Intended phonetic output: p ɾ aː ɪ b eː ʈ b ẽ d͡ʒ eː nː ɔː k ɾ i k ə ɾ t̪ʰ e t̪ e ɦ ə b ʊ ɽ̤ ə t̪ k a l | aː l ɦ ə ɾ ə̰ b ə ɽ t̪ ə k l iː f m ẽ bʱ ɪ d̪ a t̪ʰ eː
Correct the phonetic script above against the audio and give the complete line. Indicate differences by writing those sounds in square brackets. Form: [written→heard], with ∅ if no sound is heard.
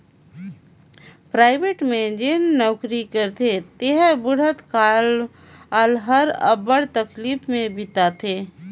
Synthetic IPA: p ɾ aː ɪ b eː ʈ [b→m] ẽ d͡ʒ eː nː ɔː k ɾ i k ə ɾ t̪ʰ e t̪ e ɦ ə b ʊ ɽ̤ ə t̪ k a l | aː l ɦ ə ɾ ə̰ b ə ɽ t̪ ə k l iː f m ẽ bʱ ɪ [d̪→t̪] a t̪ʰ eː